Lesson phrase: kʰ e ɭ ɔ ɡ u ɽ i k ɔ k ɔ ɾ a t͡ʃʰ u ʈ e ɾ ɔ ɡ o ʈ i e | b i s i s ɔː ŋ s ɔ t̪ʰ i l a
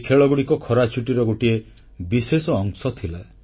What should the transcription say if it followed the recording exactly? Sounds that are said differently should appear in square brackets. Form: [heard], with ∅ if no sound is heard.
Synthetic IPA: kʰ e ɭ ɔ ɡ u ɽ i k ɔ [kʰ] ɔ ɾ a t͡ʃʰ u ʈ [i] ɾ ɔ ɡ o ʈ i e | b i s [e] s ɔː ŋ s ɔ t̪ʰ i l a

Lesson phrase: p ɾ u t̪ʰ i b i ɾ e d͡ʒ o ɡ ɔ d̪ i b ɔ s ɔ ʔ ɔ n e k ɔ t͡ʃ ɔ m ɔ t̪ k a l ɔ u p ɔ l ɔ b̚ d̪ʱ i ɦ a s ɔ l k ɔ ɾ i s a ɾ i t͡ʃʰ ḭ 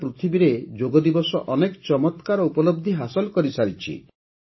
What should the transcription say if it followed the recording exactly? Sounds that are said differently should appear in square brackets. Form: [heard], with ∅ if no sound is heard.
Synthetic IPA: p ɾ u t̪ʰ i b i ɾ e d͡ʒ o ɡ ɔ d̪ i b ɔ s ɔ ʔ ɔ n e k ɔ t͡ʃ ɔ m ɔ t̪ k a [ɾ] ɔ u p ɔ l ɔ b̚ d̪ʱ i ɦ a s ɔ l k ɔ ɾ i s a ɾ i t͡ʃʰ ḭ

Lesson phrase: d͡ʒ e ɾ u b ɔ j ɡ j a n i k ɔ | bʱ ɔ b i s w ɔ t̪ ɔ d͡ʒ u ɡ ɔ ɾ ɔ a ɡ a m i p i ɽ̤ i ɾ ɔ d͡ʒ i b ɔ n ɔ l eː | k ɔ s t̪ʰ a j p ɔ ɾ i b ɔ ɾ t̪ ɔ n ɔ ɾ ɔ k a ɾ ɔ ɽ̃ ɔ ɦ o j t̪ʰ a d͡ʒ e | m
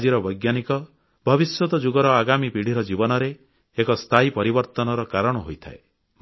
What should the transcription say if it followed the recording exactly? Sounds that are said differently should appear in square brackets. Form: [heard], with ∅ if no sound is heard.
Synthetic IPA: d͡ʒ [i] ɾ [ɔ] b ɔ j ɡ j a n i k ɔ | bʱ ɔ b i s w ɔ t̪ ɔ d͡ʒ u ɡ ɔ ɾ ɔ a ɡ a m i p i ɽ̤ i ɾ ɔ d͡ʒ i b ɔ n ɔ [ɾ] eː | k ɔ s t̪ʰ a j p ɔ ɾ i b ɔ ɾ t̪ ɔ n ɔ ɾ ɔ k a ɾ ɔ ɽ̃ ɔ ɦ o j t̪ʰ a [∅] e | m

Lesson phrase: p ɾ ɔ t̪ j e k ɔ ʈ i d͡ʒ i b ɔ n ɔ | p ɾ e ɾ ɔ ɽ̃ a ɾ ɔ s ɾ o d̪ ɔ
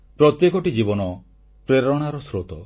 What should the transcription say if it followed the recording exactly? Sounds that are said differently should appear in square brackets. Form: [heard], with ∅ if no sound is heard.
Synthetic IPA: p ɾ ɔ t̪ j e k ɔ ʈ i d͡ʒ i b ɔ n ɔ | p ɾ e ɾ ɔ ɽ̃ a ɾ ɔ s ɾ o [t̪] ɔ

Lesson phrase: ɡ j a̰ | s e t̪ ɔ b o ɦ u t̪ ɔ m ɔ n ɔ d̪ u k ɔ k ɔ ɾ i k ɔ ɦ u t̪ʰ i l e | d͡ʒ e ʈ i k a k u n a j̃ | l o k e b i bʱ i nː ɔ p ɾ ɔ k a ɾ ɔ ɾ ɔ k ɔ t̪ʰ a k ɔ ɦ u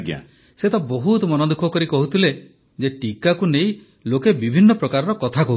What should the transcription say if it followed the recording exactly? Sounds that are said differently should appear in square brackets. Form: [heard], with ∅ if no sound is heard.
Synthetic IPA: ɡ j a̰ | s e t̪ ɔ b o ɦ u t̪ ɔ m ɔ n ɔ d̪ u [kʰ] ɔ k ɔ ɾ i k ɔ ɦ u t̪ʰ i l e | d͡ʒ e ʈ i k a k u n [e] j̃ | l o k e b i bʱ i nː ɔ p ɾ ɔ k a ɾ ɔ ɾ ɔ k ɔ t̪ʰ a k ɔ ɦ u

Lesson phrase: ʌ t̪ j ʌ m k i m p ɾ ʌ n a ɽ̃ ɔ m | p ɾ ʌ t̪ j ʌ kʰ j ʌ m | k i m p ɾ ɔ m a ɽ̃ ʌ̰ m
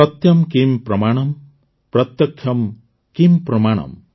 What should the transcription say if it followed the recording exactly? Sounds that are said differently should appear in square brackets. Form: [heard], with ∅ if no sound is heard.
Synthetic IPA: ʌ t̪ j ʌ m k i m p ɾ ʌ [m] a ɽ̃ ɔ m | p ɾ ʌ t̪ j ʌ kʰ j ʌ m | k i m p ɾ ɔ m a ɽ̃ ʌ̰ m

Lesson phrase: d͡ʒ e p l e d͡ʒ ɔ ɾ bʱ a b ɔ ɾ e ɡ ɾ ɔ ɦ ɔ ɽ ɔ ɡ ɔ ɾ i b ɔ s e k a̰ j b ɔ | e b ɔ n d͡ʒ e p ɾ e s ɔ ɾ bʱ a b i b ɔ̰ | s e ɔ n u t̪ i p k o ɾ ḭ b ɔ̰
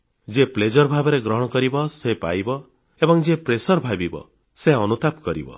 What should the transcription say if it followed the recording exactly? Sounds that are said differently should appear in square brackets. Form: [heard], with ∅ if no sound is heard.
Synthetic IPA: d͡ʒ e p l e d͡ʒ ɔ ɾ bʱ a b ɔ ɾ e ɡ ɾ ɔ ɦ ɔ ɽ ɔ [k] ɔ ɾ i b ɔ s e [p] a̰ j b ɔ | e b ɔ [ŋ] d͡ʒ e p ɾ e s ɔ ɾ bʱ a b i b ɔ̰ | s e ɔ n u t̪ [a] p k [ɔ] ɾ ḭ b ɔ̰

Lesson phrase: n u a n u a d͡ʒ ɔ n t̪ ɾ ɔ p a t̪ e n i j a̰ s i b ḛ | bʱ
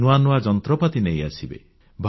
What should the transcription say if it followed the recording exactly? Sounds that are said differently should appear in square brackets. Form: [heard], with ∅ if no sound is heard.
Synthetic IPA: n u a n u a d͡ʒ ɔ n t̪ ɾ ɔ p a t̪ [i] n [e] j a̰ s i b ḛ | bʱ

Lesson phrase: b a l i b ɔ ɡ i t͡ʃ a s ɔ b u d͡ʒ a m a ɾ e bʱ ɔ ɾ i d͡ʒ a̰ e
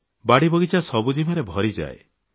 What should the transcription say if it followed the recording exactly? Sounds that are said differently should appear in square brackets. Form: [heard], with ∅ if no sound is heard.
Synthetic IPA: b a [ɽ] i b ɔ ɡ i t͡ʃ a s ɔ b u d͡ʒ [i] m a ɾ e bʱ ɔ ɾ i d͡ʒ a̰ e

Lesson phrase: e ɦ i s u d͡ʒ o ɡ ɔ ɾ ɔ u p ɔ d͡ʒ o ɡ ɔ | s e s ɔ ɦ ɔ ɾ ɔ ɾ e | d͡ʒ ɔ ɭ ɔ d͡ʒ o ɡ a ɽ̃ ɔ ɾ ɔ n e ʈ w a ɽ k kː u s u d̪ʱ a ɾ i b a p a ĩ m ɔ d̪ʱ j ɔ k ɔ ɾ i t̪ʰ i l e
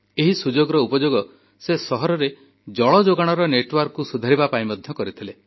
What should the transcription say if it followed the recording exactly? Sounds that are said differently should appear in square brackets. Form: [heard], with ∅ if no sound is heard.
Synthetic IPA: e ɦ i s u d͡ʒ o ɡ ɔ ɾ ɔ u p ɔ d͡ʒ o ɡ ɔ | s e s ɔ ɦ ɔ ɾ ɔ ɾ e | d͡ʒ ɔ ɭ ɔ d͡ʒ o ɡ a ɽ̃ ɔ ɾ ɔ n e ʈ w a [ɾ] k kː u s u d̪ʱ a ɾ i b a p a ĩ m ɔ d̪ʱ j ɔ k ɔ ɾ i t̪ʰ i l e

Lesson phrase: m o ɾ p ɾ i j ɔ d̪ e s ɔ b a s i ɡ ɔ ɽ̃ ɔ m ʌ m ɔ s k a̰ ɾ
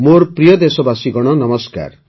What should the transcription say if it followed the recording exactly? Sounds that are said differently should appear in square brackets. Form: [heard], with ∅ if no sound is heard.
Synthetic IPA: m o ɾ p ɾ i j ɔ d̪ e s ɔ b a s i ɡ ɔ ɽ̃ ɔ [n] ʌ m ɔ s k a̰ ɾ

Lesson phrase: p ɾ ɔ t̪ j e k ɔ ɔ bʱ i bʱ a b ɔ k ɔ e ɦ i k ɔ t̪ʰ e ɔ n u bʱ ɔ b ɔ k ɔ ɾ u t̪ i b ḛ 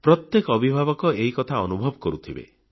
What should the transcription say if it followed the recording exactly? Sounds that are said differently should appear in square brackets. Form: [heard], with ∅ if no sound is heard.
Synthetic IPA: p ɾ ɔ t̪ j e k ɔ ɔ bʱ i bʱ a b ɔ k ɔ e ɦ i k ɔ t̪ʰ [a] ɔ n u bʱ ɔ b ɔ k ɔ ɾ u [t̪ʰ] i b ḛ

